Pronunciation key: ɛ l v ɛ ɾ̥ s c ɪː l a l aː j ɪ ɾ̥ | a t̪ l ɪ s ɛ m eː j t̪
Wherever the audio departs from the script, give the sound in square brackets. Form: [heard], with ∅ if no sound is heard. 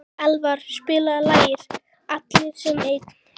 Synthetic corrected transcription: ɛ l v [a] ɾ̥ s [p] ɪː l a l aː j ɪ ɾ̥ | a t̪ l ɪ s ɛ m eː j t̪